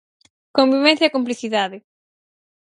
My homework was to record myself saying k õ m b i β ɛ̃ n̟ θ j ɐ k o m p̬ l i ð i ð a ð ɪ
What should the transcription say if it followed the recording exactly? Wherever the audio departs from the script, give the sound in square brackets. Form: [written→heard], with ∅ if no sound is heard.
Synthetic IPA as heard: k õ m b i β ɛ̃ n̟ θ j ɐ k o m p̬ l i [ð→θ] i ð a ð ɪ